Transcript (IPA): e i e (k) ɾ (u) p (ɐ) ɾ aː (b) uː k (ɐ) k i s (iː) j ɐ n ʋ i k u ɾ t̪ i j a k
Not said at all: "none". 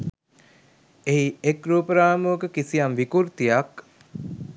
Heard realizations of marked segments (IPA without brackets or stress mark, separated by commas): k, uː, ə, m, ə, i